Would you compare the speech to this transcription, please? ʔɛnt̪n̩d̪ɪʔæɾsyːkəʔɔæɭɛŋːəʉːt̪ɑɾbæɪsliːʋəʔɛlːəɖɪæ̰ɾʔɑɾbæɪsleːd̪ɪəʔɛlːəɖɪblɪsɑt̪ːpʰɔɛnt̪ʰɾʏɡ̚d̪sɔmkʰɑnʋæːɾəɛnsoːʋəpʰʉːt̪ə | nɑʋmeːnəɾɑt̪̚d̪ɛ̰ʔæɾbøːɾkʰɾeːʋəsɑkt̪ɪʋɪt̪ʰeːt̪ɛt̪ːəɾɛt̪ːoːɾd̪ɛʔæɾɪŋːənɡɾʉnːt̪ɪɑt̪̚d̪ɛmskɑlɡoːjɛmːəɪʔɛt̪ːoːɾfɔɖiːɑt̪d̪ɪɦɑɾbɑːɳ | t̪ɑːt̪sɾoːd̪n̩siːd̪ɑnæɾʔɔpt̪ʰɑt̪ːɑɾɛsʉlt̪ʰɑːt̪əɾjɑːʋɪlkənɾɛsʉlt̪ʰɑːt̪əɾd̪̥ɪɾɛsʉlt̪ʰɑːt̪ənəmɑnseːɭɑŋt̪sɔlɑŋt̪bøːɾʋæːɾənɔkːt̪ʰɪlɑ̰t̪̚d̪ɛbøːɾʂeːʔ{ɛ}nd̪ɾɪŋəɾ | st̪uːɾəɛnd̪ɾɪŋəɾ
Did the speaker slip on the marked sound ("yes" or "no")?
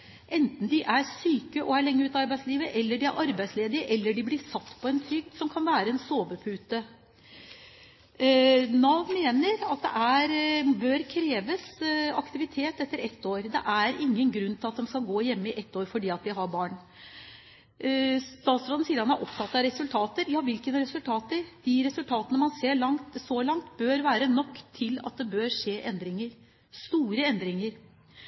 no